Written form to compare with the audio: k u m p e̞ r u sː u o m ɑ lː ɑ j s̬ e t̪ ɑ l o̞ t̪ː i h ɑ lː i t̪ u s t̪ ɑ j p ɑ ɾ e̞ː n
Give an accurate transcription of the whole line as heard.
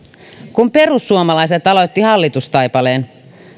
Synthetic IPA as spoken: k u m p e̞ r u sː u o m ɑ l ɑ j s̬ e t̪ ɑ l o̞ t̪ː i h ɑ lː i t̪ u s t̪ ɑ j p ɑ l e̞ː n